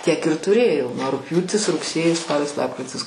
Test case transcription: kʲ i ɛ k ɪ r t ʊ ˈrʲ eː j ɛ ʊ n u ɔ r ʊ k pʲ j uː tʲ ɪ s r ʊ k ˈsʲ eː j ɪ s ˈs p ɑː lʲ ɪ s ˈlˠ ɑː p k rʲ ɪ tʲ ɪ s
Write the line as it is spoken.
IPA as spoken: tʲ i ɛ k ɪ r t ʊ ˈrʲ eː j ɛ ʊ n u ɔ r ʊ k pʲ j uː tʲ ɪ s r ʊ k ˈsʲ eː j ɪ s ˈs p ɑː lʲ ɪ s ˈlˠ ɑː p k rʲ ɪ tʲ ɪ s